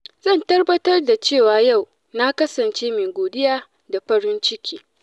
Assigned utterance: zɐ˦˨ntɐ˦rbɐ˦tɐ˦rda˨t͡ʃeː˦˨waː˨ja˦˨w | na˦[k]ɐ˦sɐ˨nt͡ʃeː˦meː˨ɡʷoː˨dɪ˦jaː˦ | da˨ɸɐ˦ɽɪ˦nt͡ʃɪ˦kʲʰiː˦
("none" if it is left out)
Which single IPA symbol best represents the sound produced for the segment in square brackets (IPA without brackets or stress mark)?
k